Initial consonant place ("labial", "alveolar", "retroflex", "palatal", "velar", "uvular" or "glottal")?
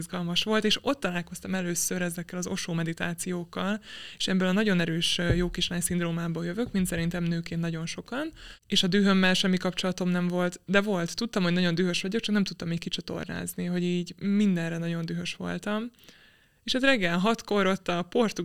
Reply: alveolar